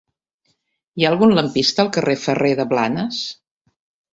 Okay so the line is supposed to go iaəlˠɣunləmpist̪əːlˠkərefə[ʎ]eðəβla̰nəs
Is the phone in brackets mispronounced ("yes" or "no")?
yes